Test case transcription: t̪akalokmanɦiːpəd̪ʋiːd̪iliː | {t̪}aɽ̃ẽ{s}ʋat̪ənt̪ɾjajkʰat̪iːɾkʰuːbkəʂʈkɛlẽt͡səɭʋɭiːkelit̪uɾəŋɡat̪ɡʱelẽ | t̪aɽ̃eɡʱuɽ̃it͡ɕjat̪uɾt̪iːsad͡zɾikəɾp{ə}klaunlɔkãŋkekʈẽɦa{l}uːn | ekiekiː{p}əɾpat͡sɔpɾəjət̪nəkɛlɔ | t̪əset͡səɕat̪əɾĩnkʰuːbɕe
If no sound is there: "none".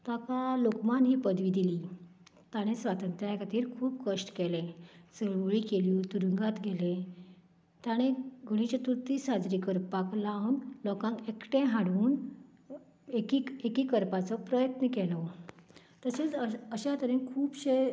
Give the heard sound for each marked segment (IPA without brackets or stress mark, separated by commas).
t̪, s, a, ɽ, k